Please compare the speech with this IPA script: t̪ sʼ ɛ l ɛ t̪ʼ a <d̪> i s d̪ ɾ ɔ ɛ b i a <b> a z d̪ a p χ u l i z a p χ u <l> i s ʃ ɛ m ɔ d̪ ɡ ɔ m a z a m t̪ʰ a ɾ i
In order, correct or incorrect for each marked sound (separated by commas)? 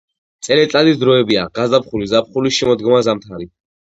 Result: correct, incorrect, correct